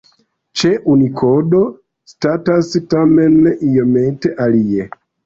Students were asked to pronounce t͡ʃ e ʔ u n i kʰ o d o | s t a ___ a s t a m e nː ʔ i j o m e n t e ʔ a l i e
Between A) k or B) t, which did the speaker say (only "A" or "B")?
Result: B